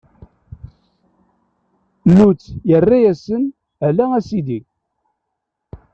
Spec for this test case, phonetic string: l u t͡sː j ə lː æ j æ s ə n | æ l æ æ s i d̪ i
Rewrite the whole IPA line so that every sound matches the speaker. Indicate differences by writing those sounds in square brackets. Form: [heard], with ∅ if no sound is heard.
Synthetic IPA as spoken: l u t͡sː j ə [rː] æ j æ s ə n | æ l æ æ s i d̪ i